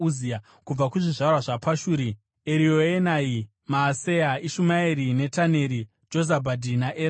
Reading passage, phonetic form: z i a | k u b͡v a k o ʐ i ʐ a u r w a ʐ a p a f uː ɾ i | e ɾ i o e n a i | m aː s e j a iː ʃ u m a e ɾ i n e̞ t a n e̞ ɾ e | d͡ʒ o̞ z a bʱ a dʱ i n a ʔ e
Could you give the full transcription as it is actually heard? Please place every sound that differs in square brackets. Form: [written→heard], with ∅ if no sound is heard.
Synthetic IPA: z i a | k u b͡v a k [o→u] ʐ i ʐ a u r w a ʐ a p a [f→ʃ] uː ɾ i | e ɾ i o e n a i | m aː s e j a [iː→i] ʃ u m a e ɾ i n e̞ t a n e̞ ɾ [e→i] | d͡ʒ o̞ z a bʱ a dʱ i n a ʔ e

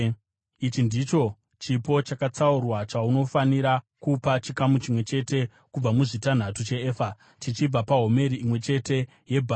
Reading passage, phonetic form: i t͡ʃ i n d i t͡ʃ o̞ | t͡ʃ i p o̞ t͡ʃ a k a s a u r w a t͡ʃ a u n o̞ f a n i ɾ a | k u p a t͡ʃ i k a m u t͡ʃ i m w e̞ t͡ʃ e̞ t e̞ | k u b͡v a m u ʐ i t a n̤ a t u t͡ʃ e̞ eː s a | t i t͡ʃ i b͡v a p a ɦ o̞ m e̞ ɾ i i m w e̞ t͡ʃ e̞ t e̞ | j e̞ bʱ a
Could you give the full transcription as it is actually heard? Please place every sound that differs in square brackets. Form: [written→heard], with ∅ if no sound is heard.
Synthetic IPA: i t͡ʃ i n d i t͡ʃ o̞ | t͡ʃ i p o̞ t͡ʃ a k a [s→t͡s] a u r w a t͡ʃ a u n o̞ f a n i ɾ a | k u p a t͡ʃ i k a m u t͡ʃ i m w e̞ t͡ʃ e̞ t e̞ | k u b͡v a m u ʐ i t a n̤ a t u t͡ʃ e̞ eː [s→f] a | t i t͡ʃ i b͡v a p a ɦ o̞ m e̞ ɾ i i m w e̞ t͡ʃ e̞ t e̞ | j e̞ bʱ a

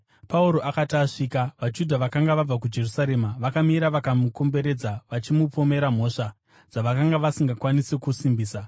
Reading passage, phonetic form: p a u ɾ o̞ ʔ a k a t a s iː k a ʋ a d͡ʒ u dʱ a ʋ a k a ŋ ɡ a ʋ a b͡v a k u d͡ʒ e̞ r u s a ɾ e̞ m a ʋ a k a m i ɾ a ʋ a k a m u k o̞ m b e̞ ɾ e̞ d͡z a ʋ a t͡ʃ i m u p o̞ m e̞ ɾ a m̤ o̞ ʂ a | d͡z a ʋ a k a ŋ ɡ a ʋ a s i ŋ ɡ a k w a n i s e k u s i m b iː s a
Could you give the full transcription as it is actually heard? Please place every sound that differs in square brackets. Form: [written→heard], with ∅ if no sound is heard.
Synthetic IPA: p a u ɾ o̞ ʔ a k a t a [s→ʂ] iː k a ʋ a d͡ʒ u dʱ a ʋ a k a ŋ ɡ a ʋ a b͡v a k u d͡ʒ e̞ r u s a ɾ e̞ m a ʋ a k a m i ɾ a ʋ a k a m u k o̞ m b e̞ ɾ e̞ d͡z a ʋ a t͡ʃ i m u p o̞ m e̞ ɾ a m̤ o̞ ʂ a | d͡z a ʋ a k a ŋ ɡ a ʋ a s i ŋ ɡ a k w a n i s e k u s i m b iː s a

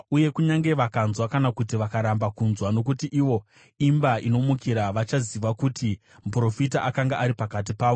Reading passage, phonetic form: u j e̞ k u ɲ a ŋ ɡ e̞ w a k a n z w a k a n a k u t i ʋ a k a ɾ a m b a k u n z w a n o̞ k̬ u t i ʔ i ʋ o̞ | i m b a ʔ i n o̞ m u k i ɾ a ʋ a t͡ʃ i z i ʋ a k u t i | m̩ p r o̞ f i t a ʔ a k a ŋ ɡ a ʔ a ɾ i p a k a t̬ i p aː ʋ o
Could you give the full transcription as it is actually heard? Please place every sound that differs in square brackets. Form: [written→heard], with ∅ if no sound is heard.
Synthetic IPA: u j e̞ k u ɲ a ŋ ɡ e̞ [w→ʋ] a k a n z w a k a n a k u t i ʋ a k a ɾ a m b a k u n z w a n o̞ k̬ u t i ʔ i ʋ o̞ | i m b a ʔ i n o̞ m u k i ɾ a ʋ a t͡ʃ [i→a] z i ʋ a k u t i | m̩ p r o̞ f i t a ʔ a k a ŋ ɡ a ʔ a ɾ i p a k a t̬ i p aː ʋ o

